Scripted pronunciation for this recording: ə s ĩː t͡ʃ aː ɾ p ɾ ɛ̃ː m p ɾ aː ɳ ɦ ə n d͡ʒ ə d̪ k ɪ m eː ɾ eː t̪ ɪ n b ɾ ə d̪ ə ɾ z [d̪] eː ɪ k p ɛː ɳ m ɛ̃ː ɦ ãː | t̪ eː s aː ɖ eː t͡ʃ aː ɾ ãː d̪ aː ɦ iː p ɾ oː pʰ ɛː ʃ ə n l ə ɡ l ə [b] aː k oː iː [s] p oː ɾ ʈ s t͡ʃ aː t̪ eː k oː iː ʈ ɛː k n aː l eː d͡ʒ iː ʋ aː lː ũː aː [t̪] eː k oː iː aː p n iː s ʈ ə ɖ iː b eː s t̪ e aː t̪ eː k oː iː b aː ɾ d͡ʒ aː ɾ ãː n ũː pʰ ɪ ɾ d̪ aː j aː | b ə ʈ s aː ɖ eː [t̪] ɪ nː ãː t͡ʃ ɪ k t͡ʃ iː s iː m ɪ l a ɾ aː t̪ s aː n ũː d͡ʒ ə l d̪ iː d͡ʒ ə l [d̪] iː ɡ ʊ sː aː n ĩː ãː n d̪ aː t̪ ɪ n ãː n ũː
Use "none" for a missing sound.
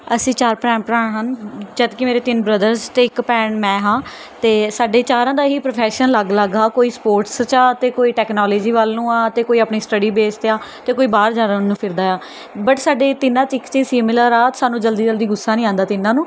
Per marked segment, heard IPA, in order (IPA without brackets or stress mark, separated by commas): t̪, ɡ, s, t̪, t̪, d̪